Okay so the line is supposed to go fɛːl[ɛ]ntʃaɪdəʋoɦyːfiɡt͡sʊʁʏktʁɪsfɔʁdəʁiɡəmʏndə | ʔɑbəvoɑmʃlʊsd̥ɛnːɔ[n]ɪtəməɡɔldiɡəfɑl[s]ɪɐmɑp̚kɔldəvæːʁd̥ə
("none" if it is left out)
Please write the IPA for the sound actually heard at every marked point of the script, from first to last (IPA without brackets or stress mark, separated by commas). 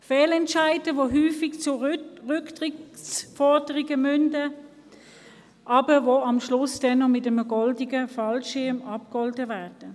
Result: ɛ, m, ʃ